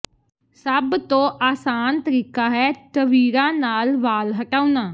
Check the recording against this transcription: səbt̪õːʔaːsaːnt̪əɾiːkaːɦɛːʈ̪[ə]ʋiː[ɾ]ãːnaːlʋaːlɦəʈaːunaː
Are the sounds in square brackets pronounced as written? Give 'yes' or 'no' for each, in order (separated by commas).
yes, yes